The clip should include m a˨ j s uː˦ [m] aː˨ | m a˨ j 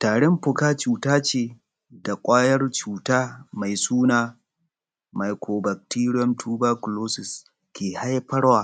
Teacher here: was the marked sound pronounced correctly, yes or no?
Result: no